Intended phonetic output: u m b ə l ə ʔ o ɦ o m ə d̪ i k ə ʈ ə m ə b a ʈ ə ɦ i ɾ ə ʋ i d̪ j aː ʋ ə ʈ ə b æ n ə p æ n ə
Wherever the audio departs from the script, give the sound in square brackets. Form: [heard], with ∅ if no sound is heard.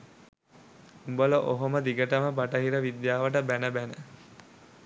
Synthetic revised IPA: u m b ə l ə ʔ o ɦ o m ə d̪ i [ɡ] ə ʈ ə m ə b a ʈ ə ɦ i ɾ ə ʋ i d̪ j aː ʋ ə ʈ ə b æ n ə [b] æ n ə